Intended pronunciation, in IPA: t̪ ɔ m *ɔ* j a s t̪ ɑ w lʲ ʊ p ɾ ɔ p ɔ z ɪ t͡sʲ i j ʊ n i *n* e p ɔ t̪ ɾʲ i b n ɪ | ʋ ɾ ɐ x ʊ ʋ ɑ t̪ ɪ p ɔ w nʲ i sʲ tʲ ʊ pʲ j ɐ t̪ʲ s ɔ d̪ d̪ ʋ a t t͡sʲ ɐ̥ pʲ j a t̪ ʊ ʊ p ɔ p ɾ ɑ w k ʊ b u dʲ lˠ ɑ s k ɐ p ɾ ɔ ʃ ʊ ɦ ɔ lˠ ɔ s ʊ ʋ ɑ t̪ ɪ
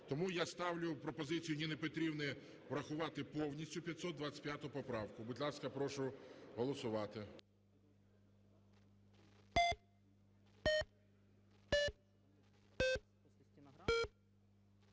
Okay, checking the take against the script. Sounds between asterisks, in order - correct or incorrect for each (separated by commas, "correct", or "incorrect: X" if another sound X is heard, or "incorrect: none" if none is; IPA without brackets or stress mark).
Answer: incorrect: u, correct